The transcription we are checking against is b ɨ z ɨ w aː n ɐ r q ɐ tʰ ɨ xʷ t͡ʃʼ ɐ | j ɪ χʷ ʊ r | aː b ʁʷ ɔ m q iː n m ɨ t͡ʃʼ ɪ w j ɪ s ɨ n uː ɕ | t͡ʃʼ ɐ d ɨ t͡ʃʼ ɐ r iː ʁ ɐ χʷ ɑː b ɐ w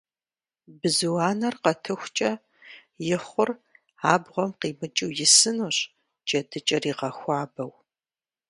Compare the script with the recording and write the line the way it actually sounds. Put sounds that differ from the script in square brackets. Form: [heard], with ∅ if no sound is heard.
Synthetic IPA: b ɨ z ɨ w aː n ɐ r q ɐ tʰ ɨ xʷ t͡ʃʼ ɐ | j ɪ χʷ ʊ r | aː b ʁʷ ɔ m q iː [∅] m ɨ t͡ʃʼ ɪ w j ɪ s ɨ n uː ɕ | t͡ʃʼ ɐ d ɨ t͡ʃʼ ɐ r iː ʁ ɐ [xʷ] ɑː b ɐ w